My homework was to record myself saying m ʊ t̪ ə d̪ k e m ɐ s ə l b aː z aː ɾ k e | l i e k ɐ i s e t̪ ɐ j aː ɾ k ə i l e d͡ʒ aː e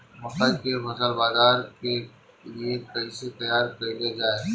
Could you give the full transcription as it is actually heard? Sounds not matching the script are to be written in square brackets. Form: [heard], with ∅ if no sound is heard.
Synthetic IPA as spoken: m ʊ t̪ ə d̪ k e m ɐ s ə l b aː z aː ɾ k e | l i e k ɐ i s e t̪ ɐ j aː ɾ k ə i l e d͡ʒ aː e

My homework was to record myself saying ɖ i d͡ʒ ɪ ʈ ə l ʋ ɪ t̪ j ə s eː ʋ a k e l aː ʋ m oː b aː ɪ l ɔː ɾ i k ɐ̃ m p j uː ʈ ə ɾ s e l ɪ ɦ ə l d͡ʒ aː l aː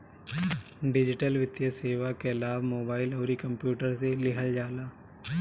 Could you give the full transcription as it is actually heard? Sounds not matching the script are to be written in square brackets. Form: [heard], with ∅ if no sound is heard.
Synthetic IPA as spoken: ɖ [ɪ] d͡ʒ ɪ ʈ ə l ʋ ɪ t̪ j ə s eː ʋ a k e l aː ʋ m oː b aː ɪ l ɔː ɾ i k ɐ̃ m p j uː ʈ ə ɾ s e l ɪ ɦ ə l d͡ʒ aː l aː

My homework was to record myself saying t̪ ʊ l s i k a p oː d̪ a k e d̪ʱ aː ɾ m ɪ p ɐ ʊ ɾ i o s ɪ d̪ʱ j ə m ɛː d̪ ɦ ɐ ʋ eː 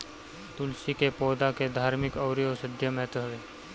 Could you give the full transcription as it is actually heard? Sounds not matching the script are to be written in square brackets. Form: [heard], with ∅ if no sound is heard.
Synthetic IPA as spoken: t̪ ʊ l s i k [e] p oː d̪ a k e d̪ʱ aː ɾ m ɪ [k] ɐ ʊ ɾ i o s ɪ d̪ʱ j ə m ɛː [t̪] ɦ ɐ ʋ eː

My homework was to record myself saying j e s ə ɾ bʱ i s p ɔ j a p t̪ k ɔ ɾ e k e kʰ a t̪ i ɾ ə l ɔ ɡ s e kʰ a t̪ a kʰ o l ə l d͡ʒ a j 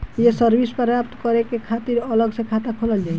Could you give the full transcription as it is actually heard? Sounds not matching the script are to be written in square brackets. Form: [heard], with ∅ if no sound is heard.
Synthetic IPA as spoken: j e s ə ɾ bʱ i s p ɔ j a p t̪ k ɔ ɾ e k e kʰ a t̪ i ɾ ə l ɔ ɡ s e kʰ a t̪ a kʰ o l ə l d͡ʒ a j

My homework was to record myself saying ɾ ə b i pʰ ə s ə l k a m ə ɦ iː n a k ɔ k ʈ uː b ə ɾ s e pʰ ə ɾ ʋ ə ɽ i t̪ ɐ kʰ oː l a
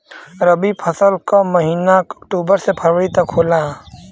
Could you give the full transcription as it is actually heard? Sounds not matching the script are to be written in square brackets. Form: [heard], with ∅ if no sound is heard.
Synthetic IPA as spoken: ɾ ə b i pʰ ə s ə l k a m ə ɦ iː n a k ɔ k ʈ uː b ə ɾ s e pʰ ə ɾ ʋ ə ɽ i t̪ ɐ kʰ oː l a

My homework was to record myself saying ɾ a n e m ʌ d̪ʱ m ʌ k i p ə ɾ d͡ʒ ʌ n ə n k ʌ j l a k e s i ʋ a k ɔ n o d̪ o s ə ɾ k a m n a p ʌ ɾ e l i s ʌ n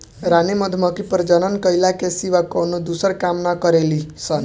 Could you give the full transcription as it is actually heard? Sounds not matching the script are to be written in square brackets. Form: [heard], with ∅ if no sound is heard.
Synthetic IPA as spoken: ɾ a n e m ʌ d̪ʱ m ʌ k i p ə ɾ d͡ʒ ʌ n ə n k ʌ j l a k e s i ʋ a k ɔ n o d̪ [u] s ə ɾ k a m n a [k] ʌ ɾ e l i s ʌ n

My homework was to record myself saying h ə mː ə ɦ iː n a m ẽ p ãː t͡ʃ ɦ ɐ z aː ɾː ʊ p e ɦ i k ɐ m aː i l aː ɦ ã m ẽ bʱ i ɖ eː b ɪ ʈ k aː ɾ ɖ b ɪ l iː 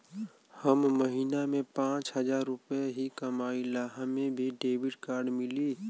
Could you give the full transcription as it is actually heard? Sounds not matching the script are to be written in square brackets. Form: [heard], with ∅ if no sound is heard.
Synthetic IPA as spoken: h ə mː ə ɦ iː n a m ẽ p ãː t͡ʃ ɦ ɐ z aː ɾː ʊ p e ɦ i k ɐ m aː i l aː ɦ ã m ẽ bʱ i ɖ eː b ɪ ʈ k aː ɾ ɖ [m] ɪ l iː

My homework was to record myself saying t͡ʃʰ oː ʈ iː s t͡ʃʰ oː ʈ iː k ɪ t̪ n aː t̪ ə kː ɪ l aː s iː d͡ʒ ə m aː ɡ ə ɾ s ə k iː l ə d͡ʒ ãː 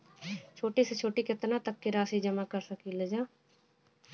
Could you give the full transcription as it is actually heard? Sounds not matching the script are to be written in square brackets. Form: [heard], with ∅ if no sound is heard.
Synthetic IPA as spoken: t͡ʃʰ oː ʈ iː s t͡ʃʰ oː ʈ iː k ɪ t̪ n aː t̪ ə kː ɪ [ɾ] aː s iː d͡ʒ ə m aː [k] ə ɾ s ə k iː l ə d͡ʒ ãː

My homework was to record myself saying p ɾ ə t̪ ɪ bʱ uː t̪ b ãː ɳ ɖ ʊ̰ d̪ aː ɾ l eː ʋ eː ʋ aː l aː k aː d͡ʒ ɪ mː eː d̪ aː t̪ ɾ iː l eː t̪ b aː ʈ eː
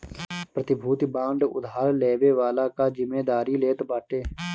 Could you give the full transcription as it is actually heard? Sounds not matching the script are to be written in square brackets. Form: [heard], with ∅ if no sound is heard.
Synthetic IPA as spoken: p ɾ ə t̪ ɪ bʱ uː t̪ b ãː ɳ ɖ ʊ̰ d̪ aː ɾ l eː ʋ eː ʋ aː l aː k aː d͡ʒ ɪ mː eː d̪ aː [∅] ɾ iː l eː t̪ b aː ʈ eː

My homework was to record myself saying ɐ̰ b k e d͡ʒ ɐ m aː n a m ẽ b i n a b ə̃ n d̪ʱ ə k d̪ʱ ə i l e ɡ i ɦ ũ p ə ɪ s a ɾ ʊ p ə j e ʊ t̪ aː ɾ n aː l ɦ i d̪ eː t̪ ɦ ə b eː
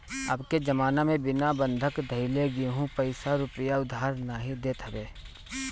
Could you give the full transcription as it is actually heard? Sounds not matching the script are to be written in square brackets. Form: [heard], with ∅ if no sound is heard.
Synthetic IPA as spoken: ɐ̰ b k e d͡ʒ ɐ m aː n a m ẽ b [ɪ] n a b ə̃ n d̪ʱ ə k d̪ʱ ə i l e ɡ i ɦ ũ p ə ɪ s a ɾ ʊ p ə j [a] ʊ [d̪] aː ɾ n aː [∅] ɦ i d̪ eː t̪ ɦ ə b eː

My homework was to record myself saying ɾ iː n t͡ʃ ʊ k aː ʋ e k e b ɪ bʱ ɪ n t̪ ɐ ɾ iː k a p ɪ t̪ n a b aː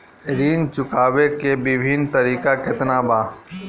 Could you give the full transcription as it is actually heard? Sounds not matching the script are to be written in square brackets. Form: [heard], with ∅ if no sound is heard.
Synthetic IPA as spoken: ɾ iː n t͡ʃ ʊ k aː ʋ e k e b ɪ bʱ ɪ n t̪ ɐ ɾ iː k a [k] ɪ t̪ n a b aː

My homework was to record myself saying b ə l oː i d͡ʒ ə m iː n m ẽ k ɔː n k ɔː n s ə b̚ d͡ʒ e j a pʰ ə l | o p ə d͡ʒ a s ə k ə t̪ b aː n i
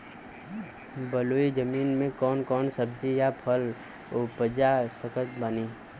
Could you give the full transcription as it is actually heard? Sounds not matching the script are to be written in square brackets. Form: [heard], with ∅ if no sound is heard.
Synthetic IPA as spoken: b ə l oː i d͡ʒ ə m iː n m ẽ k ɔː n k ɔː n s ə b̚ d͡ʒ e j a pʰ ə l | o p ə d͡ʒ a s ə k ə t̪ b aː n i

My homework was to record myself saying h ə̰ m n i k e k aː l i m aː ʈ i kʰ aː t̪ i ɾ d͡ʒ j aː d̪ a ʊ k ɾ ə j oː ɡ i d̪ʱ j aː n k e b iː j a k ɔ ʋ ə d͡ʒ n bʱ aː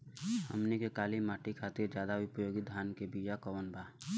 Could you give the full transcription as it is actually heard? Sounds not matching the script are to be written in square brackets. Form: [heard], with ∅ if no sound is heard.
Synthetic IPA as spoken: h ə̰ m n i k e k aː l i m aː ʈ i kʰ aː t̪ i ɾ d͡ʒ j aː d̪ a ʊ [p] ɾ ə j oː ɡ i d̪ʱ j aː n k e b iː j a k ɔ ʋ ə [∅] n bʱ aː

